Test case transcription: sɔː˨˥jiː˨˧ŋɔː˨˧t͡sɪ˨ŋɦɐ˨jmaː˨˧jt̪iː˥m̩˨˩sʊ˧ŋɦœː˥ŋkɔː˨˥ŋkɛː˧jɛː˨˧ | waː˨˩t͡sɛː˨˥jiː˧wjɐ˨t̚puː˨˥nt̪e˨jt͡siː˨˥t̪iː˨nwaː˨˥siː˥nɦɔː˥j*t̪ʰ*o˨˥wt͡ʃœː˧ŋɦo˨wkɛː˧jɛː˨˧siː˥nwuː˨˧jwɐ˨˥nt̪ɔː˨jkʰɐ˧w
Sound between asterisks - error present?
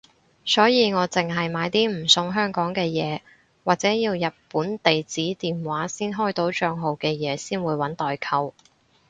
yes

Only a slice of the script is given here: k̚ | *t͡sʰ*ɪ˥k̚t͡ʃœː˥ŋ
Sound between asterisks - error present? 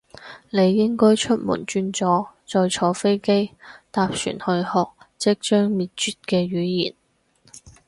yes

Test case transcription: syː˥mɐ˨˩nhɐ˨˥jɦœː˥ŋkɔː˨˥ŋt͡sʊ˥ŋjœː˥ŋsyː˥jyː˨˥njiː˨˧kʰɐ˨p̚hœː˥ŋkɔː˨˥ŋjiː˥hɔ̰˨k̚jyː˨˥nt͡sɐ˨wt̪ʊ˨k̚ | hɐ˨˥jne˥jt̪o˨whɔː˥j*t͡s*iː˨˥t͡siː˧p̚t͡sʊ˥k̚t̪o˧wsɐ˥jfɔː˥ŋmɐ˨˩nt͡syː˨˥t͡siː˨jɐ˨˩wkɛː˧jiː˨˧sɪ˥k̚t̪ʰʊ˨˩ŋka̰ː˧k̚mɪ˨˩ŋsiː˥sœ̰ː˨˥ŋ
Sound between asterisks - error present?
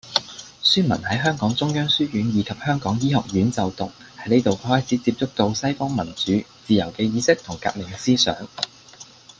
yes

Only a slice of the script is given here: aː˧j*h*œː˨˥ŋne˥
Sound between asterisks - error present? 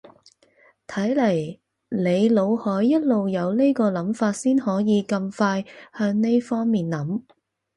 no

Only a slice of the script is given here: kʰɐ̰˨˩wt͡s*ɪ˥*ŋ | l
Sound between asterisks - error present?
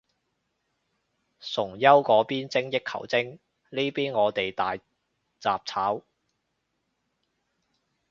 no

